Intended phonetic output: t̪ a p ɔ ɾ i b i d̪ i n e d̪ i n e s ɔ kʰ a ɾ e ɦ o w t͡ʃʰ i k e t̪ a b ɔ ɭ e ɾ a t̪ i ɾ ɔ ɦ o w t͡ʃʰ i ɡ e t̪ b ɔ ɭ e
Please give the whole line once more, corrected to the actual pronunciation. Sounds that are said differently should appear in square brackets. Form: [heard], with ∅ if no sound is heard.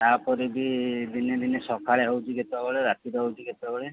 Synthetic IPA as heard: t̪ a p ɔ ɾ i b i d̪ i n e d̪ i n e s ɔ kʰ a [ɭ] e ɦ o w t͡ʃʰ i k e t̪ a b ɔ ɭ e ɾ a t̪ i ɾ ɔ ɦ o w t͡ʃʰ i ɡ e t̪ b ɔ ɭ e

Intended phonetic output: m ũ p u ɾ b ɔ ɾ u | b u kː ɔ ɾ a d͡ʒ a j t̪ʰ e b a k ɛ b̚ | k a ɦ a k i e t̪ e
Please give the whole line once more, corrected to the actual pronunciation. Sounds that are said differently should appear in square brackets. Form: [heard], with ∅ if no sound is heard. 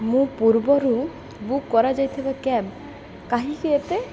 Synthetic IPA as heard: m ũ p u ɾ b ɔ ɾ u | b u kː ɔ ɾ a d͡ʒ a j t̪ʰ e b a k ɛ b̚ | k a ɦ [i] k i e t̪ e

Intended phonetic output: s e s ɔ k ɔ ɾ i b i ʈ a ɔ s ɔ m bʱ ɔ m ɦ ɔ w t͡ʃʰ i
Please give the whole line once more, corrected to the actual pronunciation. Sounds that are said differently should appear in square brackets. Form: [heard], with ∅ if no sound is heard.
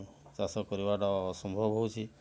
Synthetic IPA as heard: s [a] s ɔ k ɔ ɾ i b [a] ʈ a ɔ s ɔ m bʱ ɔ [b] ɦ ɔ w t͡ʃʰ i

